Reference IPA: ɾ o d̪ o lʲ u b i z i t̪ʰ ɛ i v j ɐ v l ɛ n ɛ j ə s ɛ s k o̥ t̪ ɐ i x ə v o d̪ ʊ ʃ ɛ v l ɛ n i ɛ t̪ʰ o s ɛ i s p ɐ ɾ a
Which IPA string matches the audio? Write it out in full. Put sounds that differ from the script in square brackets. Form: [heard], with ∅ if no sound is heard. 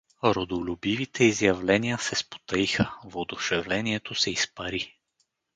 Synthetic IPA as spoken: ɾ o d̪ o lʲ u b i [v] i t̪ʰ ɛ i [z] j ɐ v l ɛ n [i] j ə s ɛ s [p] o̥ t̪ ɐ i x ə v o d̪ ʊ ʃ ɛ v l ɛ n i ɛ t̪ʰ o s ɛ i s p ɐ ɾ [i]

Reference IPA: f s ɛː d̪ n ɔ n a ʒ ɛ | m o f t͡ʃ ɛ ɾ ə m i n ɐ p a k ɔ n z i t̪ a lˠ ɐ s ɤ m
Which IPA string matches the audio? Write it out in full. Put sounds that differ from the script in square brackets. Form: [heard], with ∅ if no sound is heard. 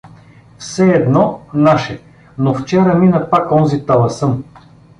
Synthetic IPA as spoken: f s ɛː d̪ n ɔ n a [ʃ] ɛ | [n] o f t͡ʃ ɛ ɾ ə m i n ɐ p a k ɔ n z i t̪ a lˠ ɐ s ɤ m

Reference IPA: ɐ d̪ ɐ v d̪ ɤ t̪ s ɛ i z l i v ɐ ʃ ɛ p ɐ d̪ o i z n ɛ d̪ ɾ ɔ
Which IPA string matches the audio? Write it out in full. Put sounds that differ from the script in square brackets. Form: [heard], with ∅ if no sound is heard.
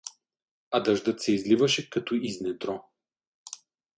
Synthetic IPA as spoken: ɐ d̪ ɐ [ʒ] d̪ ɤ t̪ s ɛ i z l i v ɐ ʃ ɛ [k] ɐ [t̪] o i z n ɛ d̪ ɾ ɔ

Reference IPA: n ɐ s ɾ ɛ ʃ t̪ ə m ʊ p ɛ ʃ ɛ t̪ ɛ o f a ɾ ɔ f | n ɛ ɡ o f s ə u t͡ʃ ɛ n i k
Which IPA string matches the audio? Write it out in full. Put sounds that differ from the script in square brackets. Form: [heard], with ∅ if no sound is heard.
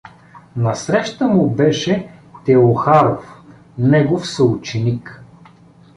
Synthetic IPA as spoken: n ɐ s ɾ ɛ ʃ t̪ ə m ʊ [b] ɛ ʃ ɛ t̪ ɛ o [x] a ɾ [o] f | n ɛ ɡ o f s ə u t͡ʃ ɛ n i k

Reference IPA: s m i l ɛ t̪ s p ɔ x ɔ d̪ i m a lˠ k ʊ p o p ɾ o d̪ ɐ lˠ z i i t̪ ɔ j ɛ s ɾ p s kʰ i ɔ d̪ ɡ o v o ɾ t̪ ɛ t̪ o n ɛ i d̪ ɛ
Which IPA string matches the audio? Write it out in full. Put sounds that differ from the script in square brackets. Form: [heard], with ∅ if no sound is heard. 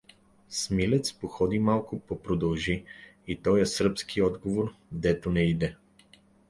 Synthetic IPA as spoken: s m i l ɛ t̪ s p [o] x ɔ d̪ i m a lˠ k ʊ p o p ɾ o d̪ ɐ lˠ [ʒ] i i t̪ ɔ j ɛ s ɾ p s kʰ i ɔ d̪ ɡ o v o ɾ [d̪] ɛ t̪ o n ɛ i d̪ ɛ

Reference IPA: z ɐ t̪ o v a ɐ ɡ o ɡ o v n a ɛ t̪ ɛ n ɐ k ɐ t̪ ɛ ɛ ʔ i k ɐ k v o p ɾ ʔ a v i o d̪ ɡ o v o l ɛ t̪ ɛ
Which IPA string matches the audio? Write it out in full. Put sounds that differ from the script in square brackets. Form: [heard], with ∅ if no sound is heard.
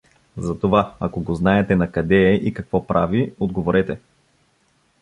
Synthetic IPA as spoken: z ɐ t̪ o v a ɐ [k] o ɡ o [z] n a ɛ t̪ ɛ n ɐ k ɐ [d̪] ɛ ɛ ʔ i k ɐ k v [ɔ] p ɾ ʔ a v i o d̪ ɡ o v o [ɾ] ɛ t̪ ɛ

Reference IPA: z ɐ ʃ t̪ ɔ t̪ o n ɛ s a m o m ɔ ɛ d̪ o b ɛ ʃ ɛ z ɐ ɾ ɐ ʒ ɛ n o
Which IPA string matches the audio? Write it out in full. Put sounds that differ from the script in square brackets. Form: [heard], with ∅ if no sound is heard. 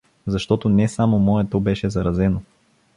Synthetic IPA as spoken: z ɐ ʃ t̪ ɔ t̪ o n ɛ s a m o m ɔ ɛ [t̪] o b ɛ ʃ ɛ z ɐ ɾ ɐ [z] ɛ n o

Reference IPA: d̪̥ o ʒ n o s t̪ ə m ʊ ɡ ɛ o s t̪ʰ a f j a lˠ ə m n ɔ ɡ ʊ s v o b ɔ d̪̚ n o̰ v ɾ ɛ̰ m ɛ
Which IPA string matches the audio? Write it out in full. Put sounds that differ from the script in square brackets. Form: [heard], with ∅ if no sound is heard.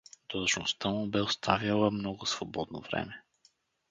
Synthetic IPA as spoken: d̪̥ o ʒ n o s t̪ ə m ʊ [b] ɛ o s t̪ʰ a [v] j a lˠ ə m n ɔ ɡ ʊ s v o b ɔ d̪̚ n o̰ v ɾ ɛ̰ m ɛ

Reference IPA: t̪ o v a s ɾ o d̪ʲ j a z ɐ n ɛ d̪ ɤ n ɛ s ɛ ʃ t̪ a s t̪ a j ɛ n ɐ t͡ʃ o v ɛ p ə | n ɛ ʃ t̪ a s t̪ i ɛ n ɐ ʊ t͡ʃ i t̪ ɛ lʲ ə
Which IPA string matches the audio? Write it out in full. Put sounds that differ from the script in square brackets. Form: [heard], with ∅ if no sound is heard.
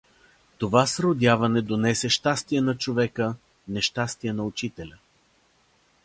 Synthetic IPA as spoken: t̪ o v a s ɾ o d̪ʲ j a [v] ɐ n ɛ d̪ [o] n ɛ s ɛ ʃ t̪ a s t̪ [i] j ɛ n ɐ t͡ʃ o v ɛ [k] ə | n ɛ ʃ t̪ a s t̪ i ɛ n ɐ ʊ t͡ʃ i t̪ ɛ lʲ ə

